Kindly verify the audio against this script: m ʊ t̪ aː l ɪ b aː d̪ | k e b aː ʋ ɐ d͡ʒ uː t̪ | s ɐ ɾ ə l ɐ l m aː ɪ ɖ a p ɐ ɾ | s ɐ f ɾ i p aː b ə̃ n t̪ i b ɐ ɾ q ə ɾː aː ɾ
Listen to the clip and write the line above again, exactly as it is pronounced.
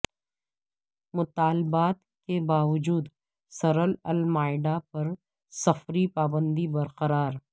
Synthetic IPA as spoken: m ʊ t̪ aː l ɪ b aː t̪ | k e b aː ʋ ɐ d͡ʒ uː d̪ | s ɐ ɾ ə l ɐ l m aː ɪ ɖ a p ɐ ɾ | s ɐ f ɾ i p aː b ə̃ n d̪ i b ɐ ɾ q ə ɾ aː ɾ

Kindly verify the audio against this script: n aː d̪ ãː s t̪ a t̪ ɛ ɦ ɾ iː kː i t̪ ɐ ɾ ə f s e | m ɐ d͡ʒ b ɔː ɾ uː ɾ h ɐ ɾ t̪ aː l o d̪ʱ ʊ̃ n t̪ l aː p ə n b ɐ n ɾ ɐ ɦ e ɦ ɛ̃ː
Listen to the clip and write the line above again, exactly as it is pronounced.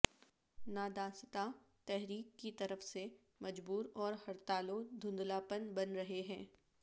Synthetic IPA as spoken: n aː d̪ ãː s t̪ a t̪ ɛ ɦ ɾ iː kː i t̪ ɐ ɾ ə f s e | m ɐ d͡ʒ b uː ɾ ɔː ɾ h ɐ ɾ t̪ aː l o d̪ʱ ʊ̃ n d̪ l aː p ə n b ɐ n ɾ ɐ ɦ e ɦ ɛ̃ː

